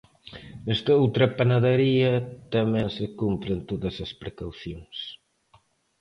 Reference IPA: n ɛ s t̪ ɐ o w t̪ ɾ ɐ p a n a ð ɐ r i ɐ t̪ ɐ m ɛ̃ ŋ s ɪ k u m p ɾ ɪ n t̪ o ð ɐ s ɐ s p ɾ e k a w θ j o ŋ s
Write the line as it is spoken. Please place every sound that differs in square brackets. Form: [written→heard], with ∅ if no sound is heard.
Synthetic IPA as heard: n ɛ s t̪ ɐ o w t̪ ɾ ɐ p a n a ð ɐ [r→ɾ] i ɐ t̪ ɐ m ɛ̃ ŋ s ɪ k u m p ɾ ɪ n t̪ o ð ɐ s ɐ s p ɾ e k a w θ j o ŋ s